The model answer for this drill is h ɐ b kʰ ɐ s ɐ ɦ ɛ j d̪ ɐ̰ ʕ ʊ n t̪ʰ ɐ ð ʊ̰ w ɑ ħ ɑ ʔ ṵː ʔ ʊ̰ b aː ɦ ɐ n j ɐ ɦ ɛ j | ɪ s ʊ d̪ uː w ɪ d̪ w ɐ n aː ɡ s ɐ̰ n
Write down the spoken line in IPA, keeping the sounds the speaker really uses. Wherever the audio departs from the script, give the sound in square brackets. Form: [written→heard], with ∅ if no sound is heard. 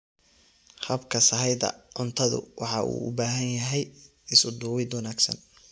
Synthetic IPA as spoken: h ɐ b kʰ ɐ s ɐ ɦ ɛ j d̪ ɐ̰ ʕ ʊ n t̪ʰ ɐ ð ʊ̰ w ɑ ħ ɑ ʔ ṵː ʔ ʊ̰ b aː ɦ ɐ n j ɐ ɦ ɛ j | ɪ s ʊ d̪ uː w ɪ d̪ w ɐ n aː ɡ s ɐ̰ n